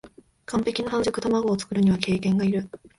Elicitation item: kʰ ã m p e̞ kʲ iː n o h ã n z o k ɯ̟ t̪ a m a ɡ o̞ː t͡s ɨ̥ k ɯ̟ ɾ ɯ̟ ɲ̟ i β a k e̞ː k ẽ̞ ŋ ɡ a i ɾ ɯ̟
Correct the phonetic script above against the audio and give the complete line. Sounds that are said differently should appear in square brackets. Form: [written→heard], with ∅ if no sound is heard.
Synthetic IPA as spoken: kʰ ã m p e̞ kʲ [iː→i] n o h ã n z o k ɯ̟ t̪ a m a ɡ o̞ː t͡s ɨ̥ k ɯ̟ ɾ ɯ̟ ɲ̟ i β a k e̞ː k ẽ̞ ŋ ɡ a i ɾ ɯ̟